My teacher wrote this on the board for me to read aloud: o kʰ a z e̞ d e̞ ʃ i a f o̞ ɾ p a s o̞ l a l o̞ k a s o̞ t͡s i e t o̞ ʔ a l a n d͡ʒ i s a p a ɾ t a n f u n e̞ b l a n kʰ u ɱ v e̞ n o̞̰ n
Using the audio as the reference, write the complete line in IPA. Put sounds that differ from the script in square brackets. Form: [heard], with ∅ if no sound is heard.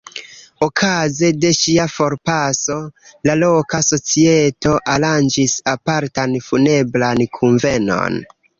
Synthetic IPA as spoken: o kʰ a z e̞ d e̞ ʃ i a f o̞ ɾ p a s o̞ l a l o̞ k a s o̞ t͡s i e t o̞ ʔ a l a n d͡ʒ i s a p a ɾ t a n f u n e̞ b l a n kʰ u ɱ v e̞ n o̞̰ n